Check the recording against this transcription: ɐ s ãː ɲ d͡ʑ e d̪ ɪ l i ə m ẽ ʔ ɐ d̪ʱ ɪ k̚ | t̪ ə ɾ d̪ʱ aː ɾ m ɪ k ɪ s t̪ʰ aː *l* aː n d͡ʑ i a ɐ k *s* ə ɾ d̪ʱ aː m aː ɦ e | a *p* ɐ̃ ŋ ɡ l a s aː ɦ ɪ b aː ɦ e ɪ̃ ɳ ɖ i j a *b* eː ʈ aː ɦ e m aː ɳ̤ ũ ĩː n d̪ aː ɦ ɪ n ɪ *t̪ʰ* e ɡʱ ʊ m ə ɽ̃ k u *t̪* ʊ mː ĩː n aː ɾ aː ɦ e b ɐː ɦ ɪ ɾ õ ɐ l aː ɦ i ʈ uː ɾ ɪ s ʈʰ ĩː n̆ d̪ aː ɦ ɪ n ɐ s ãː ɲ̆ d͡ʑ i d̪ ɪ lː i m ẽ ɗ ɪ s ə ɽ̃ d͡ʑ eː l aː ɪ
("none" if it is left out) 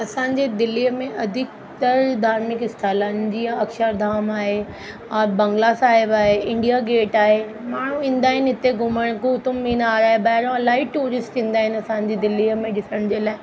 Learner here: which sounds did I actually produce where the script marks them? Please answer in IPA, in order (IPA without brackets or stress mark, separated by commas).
l, ʃ, b, ɡ, t̪, t̪